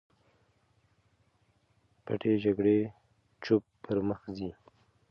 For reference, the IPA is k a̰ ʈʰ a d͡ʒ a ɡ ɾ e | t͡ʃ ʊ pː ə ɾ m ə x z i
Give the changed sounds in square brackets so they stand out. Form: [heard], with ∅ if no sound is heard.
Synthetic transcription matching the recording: [p] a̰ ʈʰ [e] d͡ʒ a ɡ [ɽ] e | t͡ʃ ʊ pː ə ɾ m ə x z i